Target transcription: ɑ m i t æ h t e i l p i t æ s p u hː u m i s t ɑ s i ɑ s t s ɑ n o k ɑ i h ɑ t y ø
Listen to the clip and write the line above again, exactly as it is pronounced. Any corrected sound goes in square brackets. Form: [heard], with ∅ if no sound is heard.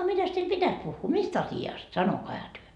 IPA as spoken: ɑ m i t æ [s] t e i l p i t æ s p u hː [uː] m i s t ɑ s i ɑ s t s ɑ n o k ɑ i h ɑ t y ø